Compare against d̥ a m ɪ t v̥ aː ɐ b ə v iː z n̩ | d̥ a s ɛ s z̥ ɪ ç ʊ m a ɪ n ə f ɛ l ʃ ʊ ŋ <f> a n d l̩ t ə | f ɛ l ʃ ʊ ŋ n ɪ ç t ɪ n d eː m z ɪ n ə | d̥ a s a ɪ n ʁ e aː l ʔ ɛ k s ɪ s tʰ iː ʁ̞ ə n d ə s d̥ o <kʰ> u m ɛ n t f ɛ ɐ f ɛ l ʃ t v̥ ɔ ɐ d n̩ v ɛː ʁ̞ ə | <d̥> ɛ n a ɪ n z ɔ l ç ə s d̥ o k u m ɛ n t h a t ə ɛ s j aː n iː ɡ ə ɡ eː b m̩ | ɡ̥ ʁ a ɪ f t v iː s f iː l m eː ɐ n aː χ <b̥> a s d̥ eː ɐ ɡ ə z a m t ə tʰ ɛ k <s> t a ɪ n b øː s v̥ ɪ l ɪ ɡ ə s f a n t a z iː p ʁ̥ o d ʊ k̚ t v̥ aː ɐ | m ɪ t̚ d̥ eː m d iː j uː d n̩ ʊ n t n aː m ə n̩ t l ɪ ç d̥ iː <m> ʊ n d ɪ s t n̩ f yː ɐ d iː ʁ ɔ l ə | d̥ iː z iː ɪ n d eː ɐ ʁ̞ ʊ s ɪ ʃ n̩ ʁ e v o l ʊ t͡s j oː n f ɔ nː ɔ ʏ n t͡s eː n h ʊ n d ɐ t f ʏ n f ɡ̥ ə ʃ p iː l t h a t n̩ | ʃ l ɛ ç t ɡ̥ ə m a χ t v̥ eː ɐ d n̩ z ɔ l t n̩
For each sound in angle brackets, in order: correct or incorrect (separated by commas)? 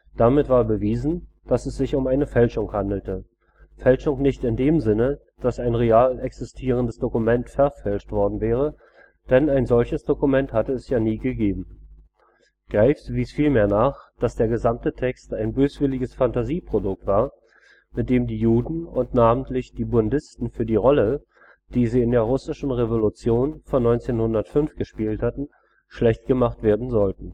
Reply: incorrect, incorrect, correct, incorrect, correct, incorrect